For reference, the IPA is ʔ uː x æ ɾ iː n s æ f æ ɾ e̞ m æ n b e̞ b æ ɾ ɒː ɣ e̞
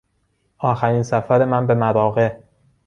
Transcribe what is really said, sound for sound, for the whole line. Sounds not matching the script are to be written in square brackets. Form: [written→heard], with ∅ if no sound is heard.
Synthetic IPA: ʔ [uː→ɒː] x æ ɾ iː n s æ f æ ɾ e̞ m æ n b e̞ [b→m] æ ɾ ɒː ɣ e̞

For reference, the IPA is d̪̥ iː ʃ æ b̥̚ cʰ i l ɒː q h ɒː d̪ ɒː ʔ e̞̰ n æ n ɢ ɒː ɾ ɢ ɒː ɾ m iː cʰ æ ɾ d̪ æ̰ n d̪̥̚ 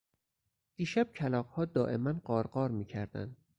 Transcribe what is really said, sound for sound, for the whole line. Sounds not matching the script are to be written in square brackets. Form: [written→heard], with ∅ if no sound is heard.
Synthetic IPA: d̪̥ iː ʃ æ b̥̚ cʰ [i→æ] l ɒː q h ɒː d̪ ɒː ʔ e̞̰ [n→m] æ n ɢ ɒː ɾ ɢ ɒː ɾ m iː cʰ æ ɾ d̪ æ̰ n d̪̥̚

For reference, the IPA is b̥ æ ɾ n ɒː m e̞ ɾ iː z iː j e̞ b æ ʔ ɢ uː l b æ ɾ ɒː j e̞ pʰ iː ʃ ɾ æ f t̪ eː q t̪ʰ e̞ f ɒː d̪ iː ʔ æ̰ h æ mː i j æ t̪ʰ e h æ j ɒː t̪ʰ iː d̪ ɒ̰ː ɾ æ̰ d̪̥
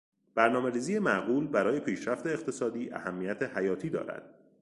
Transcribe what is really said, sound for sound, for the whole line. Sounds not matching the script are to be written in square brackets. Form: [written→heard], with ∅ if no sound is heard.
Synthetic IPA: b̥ æ ɾ n ɒː m e̞ ɾ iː z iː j e̞ [b→m] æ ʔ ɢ uː l b æ ɾ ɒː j e̞ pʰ iː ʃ ɾ æ f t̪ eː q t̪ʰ e̞ [f→s] ɒː d̪ iː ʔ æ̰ h æ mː i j æ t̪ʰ e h æ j ɒː t̪ʰ iː d̪ ɒ̰ː ɾ æ̰ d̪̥

